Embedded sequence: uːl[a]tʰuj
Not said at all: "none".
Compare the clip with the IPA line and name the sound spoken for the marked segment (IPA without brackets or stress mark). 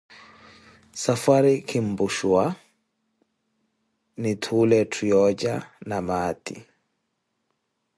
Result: ɛ